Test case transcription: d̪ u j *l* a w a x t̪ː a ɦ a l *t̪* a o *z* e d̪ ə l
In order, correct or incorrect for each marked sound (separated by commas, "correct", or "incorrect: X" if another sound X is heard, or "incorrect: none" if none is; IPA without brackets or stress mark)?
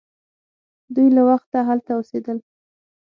correct, correct, incorrect: s